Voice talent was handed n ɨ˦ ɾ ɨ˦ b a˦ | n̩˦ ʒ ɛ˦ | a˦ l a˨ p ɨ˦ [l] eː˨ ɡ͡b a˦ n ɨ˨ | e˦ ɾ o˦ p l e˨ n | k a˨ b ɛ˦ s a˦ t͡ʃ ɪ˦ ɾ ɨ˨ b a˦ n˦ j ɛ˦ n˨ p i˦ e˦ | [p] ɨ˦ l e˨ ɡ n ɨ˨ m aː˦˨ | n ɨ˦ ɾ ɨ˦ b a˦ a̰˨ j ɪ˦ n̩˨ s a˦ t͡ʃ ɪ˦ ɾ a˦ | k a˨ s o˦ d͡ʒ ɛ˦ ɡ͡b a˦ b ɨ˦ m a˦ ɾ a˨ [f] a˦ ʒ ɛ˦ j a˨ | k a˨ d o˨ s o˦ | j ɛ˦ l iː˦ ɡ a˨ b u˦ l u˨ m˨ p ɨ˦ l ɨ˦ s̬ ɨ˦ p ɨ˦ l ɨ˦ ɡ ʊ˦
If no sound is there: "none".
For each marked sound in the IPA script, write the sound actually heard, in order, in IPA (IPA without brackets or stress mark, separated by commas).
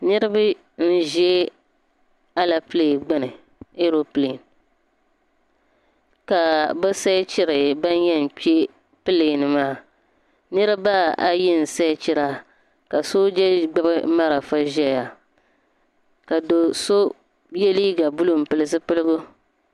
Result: l, p, f